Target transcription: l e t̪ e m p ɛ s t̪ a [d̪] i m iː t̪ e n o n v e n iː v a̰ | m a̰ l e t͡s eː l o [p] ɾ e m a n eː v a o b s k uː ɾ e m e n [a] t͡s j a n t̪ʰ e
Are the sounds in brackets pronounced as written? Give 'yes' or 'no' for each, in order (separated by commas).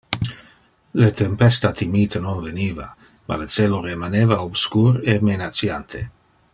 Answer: no, no, yes